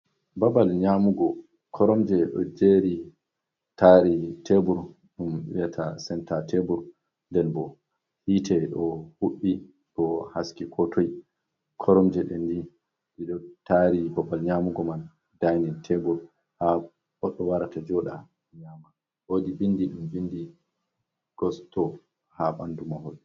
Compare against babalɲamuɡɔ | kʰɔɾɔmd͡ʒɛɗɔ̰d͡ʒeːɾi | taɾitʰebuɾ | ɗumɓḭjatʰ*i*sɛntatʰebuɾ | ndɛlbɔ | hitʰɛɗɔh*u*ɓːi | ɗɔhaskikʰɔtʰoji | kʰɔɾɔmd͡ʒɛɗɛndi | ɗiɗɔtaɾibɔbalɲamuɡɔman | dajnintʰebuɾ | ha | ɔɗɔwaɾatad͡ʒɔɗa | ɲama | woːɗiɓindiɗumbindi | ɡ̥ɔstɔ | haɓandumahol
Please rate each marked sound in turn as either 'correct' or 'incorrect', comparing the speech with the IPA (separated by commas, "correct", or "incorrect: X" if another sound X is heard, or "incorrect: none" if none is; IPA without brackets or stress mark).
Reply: incorrect: a, correct